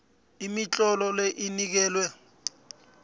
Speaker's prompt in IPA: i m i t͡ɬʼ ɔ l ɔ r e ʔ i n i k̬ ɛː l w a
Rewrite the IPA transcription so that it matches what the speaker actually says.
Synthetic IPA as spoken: i m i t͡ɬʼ ɔ l ɔ l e ʔ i n i k̬ ɛː l w ɛ